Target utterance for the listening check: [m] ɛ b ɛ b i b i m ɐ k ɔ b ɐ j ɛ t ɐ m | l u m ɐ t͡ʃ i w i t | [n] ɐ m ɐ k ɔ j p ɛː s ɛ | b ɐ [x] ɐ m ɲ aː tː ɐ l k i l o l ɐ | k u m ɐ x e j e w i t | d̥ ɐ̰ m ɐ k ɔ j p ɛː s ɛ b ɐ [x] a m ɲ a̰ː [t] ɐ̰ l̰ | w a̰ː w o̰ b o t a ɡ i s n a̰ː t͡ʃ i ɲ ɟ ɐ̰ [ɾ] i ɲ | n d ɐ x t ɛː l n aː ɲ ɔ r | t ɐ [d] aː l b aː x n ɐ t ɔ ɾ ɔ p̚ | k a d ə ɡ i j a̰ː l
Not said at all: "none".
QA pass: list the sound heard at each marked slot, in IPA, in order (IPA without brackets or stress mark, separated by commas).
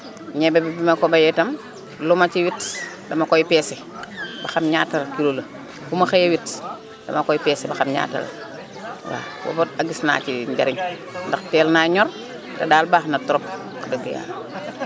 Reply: ɲ, d, x, x, t, ɾ, d